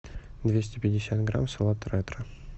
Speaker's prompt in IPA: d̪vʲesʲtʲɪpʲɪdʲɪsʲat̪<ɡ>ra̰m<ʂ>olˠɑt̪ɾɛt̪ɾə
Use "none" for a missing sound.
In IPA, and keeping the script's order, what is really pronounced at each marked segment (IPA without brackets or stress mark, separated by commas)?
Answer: ɡ, s